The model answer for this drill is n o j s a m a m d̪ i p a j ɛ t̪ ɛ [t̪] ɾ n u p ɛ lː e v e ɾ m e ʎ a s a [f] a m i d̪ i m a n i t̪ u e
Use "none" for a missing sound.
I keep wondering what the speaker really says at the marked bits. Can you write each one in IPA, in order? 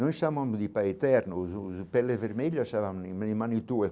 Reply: none, v

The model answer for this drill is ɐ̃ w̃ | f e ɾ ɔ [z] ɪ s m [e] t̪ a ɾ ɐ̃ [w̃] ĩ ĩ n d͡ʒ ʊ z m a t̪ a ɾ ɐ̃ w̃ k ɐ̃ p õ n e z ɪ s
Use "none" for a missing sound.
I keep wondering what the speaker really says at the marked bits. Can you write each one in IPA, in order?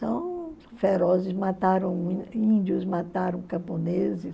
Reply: z, a, w̃

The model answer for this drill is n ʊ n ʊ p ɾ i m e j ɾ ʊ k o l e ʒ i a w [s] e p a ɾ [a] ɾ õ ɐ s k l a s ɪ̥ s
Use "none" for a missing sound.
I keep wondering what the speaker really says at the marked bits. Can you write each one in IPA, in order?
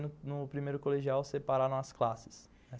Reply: s, a

